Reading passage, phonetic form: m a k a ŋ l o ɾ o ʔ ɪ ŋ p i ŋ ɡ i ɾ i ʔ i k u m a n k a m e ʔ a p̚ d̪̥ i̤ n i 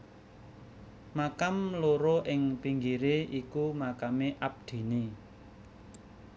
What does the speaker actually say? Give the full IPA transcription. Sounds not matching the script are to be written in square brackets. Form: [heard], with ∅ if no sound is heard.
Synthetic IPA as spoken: m a k a [m] l o ɾ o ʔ ɪ ŋ p i ŋ ɡ i ɾ [e] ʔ i k u m a [∅] k a m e ʔ a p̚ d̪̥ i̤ n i

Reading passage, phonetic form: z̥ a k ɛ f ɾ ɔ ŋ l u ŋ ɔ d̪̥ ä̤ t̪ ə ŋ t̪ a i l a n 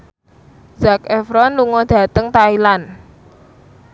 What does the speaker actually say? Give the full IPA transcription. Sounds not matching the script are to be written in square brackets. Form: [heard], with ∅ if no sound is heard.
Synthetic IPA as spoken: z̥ a k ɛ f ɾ ɔ [n] l u ŋ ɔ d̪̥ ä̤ t̪ ə ŋ t̪ a i l a n

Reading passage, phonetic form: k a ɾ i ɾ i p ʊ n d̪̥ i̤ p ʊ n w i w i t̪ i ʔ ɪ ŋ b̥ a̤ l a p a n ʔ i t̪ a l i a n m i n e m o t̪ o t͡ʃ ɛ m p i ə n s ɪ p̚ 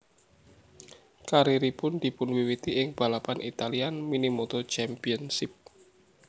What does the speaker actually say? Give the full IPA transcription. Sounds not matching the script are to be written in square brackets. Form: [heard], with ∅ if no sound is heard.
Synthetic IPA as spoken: k a ɾ i ɾ i p ʊ n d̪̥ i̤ p ʊ n w i w i t̪ i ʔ ɪ ŋ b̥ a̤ l a p a n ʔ i t̪ a l i a n m i n [i] m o t̪ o t͡ʃ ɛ m p i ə n s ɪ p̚

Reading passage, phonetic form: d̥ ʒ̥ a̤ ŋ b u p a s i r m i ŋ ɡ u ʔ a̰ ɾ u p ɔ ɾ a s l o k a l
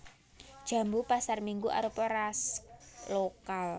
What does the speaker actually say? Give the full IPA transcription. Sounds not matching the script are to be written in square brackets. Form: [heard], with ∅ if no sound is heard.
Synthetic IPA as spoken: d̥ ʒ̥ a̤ [m] b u p a s [a] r m i ŋ ɡ u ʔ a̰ ɾ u p ɔ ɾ a s l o k a l

